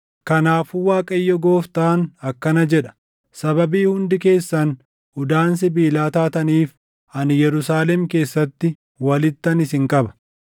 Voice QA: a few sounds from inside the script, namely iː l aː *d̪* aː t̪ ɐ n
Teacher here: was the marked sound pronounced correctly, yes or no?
no